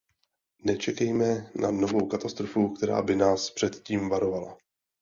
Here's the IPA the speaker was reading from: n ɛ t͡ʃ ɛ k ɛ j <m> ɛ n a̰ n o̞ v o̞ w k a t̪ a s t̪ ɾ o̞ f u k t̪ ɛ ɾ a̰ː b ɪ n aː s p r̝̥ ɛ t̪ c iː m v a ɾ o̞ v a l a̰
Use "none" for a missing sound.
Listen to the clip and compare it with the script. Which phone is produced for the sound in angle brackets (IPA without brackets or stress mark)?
m